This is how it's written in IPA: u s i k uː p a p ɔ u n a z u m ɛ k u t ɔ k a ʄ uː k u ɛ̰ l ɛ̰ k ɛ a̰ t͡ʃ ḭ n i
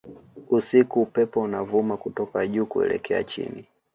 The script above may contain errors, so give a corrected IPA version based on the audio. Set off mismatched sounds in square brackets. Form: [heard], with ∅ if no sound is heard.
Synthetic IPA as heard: u s i k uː p [ɛ] p ɔ u n a [v] u m [a] k u t ɔ k a ʄ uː k u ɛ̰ l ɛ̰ k ɛ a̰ t͡ʃ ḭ n i

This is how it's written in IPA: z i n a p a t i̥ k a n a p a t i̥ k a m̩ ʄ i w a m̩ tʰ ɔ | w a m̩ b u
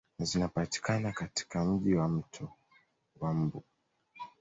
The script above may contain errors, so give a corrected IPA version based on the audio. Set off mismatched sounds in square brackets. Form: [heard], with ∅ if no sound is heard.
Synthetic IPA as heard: z i n a p a t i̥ k a n a [k] a t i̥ k a m̩ ʄ i w a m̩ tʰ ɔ | w a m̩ b u

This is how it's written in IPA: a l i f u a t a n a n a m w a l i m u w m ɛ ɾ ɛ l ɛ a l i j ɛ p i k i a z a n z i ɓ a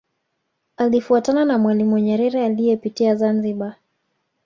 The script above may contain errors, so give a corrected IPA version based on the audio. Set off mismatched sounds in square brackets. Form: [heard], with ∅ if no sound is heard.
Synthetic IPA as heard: a l i f u a t a n a n a m w a l i m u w [ɲ] ɛ ɾ ɛ [ɾ] ɛ a l i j ɛ p i [t] i a z a n z i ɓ a

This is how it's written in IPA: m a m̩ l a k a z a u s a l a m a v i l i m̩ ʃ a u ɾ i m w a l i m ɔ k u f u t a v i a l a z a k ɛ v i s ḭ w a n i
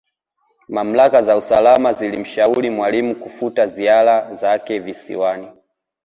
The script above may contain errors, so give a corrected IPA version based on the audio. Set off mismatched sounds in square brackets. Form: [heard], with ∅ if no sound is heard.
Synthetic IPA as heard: m a m̩ l a k a z a u s a l a m a [z] i l i m̩ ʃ a u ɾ i m w a l i m [u] k u f u t a [z] i a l a z a k ɛ v i s ḭ w a n i

